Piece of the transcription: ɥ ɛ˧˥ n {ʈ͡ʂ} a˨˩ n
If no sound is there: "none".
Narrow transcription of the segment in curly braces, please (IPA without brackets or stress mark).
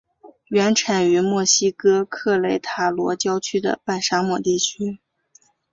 ʈ͡ʂʰ